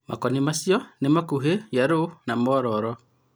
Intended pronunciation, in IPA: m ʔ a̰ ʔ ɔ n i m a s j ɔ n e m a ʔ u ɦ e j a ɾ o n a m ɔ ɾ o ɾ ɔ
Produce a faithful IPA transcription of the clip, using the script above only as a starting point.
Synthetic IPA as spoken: m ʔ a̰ k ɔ n i m a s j ɔ n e m a k u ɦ e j a ɾ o n a m ɔ ɾ ɔ ɾ ɔ